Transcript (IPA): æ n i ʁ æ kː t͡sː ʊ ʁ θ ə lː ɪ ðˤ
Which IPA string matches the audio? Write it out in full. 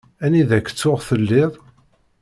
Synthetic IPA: æ n i ð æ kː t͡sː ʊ ʁ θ ə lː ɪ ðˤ